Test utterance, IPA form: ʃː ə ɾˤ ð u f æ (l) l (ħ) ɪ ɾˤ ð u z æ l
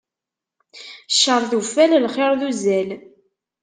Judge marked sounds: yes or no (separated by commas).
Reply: yes, no